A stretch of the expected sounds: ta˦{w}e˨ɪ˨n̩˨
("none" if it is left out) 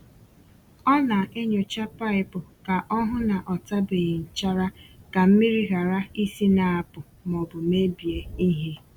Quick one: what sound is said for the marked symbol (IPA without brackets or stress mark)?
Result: b